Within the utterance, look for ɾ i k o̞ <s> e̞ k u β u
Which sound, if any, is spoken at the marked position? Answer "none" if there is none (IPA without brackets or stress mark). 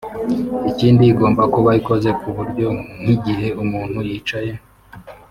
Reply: z